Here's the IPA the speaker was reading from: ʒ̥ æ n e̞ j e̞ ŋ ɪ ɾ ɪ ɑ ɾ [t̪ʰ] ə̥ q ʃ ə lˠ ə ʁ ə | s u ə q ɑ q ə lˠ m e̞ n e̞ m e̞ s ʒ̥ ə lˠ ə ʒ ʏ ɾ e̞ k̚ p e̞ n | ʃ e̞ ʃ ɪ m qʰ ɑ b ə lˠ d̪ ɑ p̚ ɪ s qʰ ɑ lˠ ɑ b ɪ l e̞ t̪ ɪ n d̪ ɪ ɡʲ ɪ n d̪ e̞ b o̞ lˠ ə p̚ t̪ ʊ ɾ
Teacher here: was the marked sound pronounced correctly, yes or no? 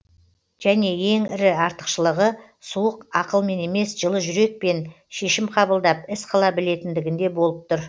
no